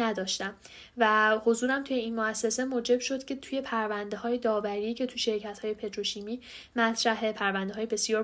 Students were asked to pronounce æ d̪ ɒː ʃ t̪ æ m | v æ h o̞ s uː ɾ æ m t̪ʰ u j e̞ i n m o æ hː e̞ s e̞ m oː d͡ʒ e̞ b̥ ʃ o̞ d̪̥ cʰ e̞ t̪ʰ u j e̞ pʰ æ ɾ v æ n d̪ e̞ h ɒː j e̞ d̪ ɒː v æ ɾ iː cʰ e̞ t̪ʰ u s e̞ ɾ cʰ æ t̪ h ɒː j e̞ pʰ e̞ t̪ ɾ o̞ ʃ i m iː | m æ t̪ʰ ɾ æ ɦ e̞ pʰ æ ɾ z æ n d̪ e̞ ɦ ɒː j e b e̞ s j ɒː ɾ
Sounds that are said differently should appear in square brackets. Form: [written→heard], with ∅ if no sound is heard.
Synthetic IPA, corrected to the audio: æ d̪ ɒː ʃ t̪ æ m | v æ h o̞ [s→z] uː ɾ æ m t̪ʰ u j e̞ i n m o æ [hː→sː] e̞ s e̞ m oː d͡ʒ e̞ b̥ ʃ o̞ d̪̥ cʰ e̞ t̪ʰ u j e̞ pʰ æ ɾ v æ n d̪ e̞ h ɒː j e̞ d̪ ɒː v æ ɾ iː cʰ e̞ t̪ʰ u [s→ʃ] e̞ ɾ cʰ æ t̪ h ɒː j e̞ pʰ e̞ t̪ ɾ o̞ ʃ i m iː | m æ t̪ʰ ɾ æ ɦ e̞ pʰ æ ɾ [z→v] æ n d̪ e̞ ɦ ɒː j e b e̞ s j ɒː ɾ